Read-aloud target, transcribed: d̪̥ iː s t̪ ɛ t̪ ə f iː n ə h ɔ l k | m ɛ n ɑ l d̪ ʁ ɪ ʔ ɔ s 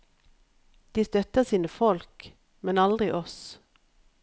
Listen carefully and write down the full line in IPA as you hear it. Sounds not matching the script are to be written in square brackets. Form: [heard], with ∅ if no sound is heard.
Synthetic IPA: d̪̥ iː s t̪ [œ] t̪ ə [s] iː n ə [f] ɔ l k | m ɛ n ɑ l d̪ ʁ ɪ ʔ ɔ s